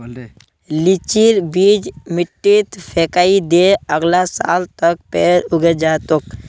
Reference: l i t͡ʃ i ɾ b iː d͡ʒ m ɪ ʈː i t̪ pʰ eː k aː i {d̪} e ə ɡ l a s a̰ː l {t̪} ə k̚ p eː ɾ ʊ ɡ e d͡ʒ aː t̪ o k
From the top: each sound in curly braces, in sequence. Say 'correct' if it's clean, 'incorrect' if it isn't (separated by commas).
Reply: correct, correct